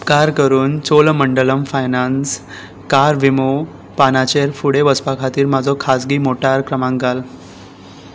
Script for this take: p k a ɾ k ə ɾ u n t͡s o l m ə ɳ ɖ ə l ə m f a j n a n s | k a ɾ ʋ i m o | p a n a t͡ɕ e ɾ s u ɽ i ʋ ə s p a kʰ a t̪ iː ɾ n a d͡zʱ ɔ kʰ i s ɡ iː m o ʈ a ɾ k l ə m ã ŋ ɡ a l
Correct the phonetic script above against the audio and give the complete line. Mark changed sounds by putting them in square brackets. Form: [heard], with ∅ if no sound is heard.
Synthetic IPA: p k a ɾ k ə ɾ [uː] n t͡s o l m ə ɳ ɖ ə l ə m f a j n a n s | k a ɾ ʋ i m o | p a n a t͡ɕ e ɾ [f] u ɽ [e] ʋ ə s p a kʰ a t̪ iː ɾ [m] a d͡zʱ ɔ kʰ [a] s ɡ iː m o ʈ a ɾ k [ɾ] ə m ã ŋ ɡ a l